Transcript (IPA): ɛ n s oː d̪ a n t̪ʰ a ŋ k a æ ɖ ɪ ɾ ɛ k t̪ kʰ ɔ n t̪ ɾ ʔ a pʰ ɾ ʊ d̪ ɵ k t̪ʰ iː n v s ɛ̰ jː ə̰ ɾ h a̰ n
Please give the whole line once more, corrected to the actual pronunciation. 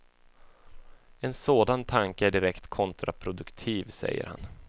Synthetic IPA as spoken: ɛ n s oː d̪ a n t̪ʰ a ŋ k ə æ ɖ ɪ ɾ ɛ k t̪ kʰ ɔ n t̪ ɾ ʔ a pʰ ɾ ʊ d̪ ɵ k t̪ʰ iː v s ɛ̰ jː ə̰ ɾ h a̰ n